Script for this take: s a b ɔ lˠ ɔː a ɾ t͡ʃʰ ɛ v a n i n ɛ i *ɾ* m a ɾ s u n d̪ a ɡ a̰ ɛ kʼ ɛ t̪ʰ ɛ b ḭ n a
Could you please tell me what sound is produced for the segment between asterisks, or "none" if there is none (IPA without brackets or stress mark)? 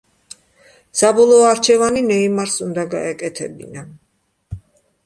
none